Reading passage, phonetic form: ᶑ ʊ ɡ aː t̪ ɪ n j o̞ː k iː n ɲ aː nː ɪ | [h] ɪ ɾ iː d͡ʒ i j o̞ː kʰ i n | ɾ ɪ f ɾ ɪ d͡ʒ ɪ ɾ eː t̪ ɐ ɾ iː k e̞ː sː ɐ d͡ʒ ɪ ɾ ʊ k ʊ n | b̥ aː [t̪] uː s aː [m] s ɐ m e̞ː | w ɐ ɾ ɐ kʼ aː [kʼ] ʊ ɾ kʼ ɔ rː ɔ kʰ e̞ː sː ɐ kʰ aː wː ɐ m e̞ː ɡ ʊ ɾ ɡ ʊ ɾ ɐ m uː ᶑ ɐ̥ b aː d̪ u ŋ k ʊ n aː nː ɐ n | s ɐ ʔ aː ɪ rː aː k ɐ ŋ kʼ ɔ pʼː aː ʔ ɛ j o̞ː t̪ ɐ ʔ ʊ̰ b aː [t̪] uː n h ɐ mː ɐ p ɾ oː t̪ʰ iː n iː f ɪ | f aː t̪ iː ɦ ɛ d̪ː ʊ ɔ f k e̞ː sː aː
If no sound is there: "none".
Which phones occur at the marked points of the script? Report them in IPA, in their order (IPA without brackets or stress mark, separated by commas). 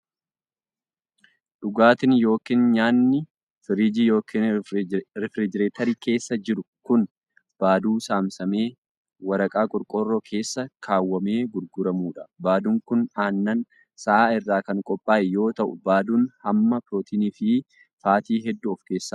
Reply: f, d̪, m, kʼ, d̪